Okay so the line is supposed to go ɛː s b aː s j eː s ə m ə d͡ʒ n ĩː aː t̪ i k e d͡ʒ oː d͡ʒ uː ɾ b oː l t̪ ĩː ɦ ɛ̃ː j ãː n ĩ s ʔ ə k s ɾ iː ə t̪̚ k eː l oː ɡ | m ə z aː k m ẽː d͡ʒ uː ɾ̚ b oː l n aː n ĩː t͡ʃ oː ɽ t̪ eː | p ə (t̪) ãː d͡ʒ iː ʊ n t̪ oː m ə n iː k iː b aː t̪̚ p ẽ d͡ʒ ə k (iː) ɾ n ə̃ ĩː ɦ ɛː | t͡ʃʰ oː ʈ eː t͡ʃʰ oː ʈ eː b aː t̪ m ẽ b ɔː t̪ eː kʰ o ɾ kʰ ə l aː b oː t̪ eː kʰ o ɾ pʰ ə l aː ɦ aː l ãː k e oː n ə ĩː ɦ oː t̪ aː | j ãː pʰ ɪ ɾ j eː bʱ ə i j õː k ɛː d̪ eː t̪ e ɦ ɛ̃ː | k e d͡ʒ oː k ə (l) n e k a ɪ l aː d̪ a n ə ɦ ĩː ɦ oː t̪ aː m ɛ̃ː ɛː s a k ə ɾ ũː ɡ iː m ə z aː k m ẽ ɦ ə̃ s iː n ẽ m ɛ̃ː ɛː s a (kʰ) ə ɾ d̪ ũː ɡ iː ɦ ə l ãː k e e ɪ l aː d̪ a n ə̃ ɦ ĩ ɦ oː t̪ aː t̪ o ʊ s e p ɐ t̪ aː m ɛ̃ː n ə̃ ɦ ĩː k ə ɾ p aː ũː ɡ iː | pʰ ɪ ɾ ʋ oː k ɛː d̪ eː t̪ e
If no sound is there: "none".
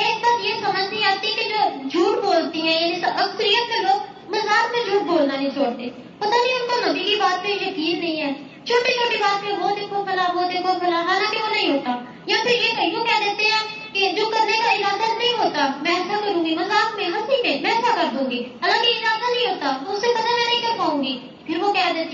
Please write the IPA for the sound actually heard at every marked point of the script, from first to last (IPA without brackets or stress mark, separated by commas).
t̪, iː, ɾ, k